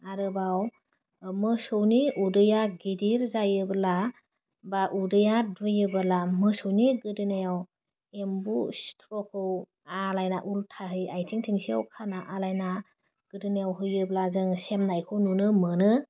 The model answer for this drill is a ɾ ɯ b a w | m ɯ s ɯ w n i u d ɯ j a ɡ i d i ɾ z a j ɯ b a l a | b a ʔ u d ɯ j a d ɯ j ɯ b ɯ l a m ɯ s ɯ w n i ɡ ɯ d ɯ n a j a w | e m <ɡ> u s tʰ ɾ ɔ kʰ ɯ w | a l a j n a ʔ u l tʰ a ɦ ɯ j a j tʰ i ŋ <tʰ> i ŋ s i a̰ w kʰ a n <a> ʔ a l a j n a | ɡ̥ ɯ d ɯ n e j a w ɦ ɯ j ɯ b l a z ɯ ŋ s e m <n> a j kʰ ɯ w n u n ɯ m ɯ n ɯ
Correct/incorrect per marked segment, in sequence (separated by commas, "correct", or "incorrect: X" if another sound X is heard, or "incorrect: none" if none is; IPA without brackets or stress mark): incorrect: b, correct, correct, correct